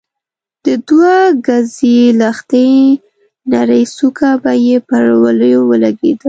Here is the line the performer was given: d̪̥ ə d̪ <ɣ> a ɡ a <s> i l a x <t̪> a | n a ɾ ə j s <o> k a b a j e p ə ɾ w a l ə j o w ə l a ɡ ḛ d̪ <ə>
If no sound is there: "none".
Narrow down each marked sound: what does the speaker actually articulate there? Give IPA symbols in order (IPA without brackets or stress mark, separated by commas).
w, z, t̪, u, ə